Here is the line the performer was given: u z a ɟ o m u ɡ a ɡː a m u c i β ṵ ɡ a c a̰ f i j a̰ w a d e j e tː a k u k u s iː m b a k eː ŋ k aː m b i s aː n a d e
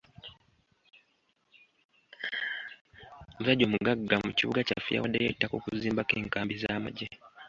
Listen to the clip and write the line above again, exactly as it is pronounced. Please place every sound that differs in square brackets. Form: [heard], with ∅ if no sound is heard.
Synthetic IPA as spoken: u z a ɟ o m u ɡ a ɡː a m u c i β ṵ ɡ a c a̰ f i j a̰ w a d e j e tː a k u k u [z] iː m b a k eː ŋ k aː m b i [z] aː [m] a [ɟ] e